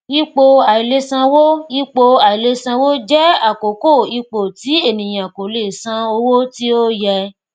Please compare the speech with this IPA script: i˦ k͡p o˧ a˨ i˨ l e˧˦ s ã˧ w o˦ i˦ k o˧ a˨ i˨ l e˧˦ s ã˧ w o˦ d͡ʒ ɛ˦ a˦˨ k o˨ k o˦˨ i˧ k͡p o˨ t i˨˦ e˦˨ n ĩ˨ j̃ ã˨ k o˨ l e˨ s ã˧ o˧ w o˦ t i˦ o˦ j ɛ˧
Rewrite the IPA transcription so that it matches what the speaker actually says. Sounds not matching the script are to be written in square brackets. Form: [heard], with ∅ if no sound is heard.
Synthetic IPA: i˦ k͡p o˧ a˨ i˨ l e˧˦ s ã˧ w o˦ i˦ [k͡p] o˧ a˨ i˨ l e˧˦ s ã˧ w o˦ d͡ʒ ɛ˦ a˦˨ k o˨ k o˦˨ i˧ k͡p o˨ t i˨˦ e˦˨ n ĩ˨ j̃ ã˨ k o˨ l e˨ s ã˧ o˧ w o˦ t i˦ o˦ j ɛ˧